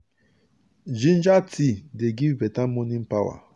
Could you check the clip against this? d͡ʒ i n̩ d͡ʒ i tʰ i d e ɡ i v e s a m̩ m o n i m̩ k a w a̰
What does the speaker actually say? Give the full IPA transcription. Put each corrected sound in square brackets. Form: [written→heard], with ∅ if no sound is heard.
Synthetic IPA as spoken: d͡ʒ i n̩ d͡ʒ [i→a] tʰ i d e ɡ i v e [s→t] a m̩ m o n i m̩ [k→p] a w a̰